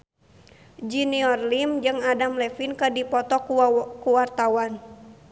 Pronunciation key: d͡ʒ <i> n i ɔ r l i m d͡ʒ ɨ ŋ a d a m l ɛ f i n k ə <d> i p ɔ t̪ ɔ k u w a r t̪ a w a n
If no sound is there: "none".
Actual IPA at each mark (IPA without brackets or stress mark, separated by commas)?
i, d